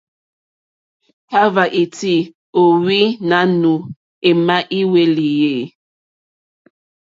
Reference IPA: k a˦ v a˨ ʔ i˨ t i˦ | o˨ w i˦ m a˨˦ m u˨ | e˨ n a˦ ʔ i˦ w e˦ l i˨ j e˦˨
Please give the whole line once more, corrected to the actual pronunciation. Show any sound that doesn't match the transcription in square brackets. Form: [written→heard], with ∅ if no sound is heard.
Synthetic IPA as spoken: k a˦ v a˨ ʔ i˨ t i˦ | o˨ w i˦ [m→n] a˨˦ [m→n] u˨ | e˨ [n→m] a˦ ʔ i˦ w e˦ l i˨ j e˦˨